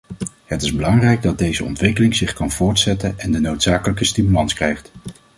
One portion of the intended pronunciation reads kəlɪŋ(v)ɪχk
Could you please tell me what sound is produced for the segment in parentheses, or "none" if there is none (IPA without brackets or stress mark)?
z